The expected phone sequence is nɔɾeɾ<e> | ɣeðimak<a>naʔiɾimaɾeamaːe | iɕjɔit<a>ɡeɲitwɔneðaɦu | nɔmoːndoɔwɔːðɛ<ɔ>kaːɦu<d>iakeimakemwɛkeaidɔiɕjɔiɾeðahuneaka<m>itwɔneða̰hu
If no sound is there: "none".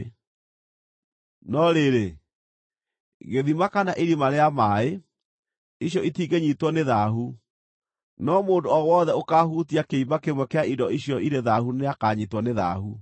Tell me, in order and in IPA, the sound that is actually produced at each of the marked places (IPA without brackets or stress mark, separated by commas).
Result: e, a, i, o, t, ɲ